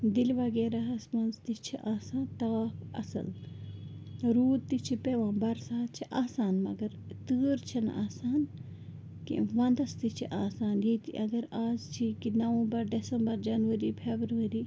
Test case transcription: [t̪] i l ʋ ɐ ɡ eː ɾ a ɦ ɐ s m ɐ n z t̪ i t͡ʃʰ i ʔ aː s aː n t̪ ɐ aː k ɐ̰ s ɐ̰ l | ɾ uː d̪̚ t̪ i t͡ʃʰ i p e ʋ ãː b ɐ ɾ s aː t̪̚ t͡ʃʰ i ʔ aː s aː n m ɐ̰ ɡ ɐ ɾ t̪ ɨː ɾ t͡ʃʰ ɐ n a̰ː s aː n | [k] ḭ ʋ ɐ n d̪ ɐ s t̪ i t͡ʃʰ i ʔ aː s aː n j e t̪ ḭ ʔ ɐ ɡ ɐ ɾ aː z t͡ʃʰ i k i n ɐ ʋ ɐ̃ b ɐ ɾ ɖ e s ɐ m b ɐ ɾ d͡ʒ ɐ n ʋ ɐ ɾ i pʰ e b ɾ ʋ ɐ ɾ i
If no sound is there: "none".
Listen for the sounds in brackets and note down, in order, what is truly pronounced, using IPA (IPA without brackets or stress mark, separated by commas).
d̪, k